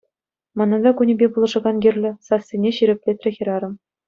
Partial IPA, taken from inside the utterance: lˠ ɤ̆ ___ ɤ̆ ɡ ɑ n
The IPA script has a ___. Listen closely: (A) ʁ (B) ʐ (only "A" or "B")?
B